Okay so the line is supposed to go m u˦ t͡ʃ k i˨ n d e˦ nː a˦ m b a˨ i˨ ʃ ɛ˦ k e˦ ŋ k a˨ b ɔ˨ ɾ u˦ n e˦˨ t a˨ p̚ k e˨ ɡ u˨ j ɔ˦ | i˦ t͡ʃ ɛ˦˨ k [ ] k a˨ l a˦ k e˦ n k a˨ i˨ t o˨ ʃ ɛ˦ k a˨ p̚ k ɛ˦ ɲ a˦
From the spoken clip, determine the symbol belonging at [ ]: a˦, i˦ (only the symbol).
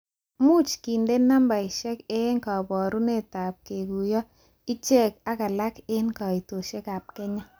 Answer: a˦